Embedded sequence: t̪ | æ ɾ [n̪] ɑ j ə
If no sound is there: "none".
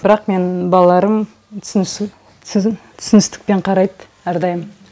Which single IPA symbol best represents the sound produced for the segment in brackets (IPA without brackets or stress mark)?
d̪